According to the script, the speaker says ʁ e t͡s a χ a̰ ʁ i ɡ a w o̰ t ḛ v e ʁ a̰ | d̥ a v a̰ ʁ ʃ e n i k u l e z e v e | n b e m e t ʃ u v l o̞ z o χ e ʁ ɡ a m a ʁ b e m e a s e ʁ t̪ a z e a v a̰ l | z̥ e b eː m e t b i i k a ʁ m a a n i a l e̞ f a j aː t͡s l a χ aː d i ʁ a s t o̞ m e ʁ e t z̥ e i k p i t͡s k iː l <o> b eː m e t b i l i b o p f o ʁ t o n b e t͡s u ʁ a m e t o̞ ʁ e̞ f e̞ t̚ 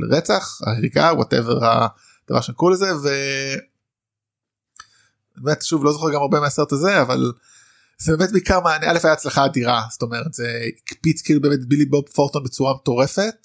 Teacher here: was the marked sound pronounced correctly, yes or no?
no